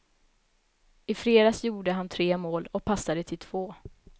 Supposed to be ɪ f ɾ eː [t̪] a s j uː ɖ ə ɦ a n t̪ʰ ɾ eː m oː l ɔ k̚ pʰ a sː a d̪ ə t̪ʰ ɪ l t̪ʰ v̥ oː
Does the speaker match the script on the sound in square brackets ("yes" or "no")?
no